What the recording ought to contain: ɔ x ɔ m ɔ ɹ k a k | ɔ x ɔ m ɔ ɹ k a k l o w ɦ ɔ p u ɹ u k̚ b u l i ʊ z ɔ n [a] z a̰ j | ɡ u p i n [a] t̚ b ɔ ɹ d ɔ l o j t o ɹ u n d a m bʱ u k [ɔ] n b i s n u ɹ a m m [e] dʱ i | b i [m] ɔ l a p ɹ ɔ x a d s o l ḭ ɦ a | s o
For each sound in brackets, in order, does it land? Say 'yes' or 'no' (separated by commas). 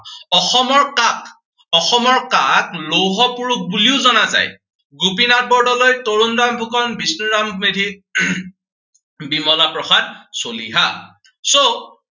yes, yes, yes, yes, yes